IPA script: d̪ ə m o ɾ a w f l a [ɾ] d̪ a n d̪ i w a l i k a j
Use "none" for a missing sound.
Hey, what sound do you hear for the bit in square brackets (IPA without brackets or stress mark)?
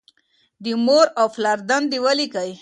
ɾ